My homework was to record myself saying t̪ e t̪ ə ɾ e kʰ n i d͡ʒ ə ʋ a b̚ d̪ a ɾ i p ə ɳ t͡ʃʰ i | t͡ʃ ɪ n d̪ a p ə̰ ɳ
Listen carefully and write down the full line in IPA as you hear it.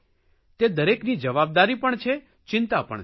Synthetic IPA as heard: t̪ e d̪ ə ɾ e k n i d͡ʒ ə ʋ a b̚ d̪ a ɾ i p ə ɳ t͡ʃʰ e | t͡ʃ ɪ n t̪ a p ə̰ ɳ

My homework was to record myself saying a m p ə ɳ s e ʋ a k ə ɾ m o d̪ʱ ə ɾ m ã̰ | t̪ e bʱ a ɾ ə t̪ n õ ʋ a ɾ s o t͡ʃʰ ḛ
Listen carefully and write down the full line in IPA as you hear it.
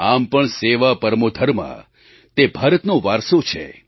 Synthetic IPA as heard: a m p ə ɳ s e ʋ a p ə ɾ m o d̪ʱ ə ɾ m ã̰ | t̪ e bʱ a ɾ ə t̪ n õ ʋ a ɾ s o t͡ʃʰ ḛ

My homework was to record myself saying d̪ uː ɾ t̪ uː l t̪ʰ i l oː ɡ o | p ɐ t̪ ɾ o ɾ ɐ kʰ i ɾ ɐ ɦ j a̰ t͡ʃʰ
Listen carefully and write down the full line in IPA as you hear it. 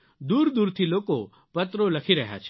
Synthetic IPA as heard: d̪ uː ɾ d̪ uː ɾ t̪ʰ i l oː k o | p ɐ t̪ ɾ o l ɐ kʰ i ɾ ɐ ɦ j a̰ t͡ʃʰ

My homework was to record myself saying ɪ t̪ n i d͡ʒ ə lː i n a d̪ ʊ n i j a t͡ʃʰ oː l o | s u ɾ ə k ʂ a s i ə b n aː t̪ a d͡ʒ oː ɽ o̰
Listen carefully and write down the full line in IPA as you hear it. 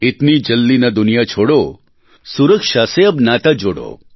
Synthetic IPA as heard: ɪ t̪ n i d͡ʒ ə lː i n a d̪ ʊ n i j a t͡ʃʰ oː ɽ o | s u ɾ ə k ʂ a s e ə b n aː t̪ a d͡ʒ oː ɽ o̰

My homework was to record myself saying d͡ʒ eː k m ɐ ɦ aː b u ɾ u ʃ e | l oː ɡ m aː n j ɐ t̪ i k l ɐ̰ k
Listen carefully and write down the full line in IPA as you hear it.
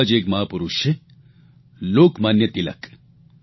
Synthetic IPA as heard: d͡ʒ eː k m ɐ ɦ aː p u ɾ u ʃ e | l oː k m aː n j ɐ t̪ i l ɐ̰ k

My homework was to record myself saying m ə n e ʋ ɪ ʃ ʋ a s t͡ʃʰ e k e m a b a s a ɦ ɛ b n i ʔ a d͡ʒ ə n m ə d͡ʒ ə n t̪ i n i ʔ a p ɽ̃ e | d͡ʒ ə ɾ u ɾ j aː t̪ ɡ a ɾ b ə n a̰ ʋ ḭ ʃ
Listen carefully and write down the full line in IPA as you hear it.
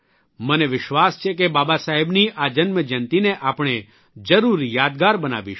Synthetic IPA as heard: m ə n e ʋ ɪ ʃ ʋ a s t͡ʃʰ e k e b a b a s a ɦ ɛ b n i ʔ a d͡ʒ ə n m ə d͡ʒ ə n t̪ i n e ʔ a p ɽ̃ e | d͡ʒ ə ɾ u ɾ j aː d̪ ɡ a ɾ b ə n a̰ ʋ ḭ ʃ

